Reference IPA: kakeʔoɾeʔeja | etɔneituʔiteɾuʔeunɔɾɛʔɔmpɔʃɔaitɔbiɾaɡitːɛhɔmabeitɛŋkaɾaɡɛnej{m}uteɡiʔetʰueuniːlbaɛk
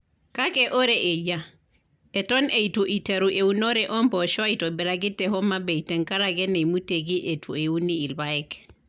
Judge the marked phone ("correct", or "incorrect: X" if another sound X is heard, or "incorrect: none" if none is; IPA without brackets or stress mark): correct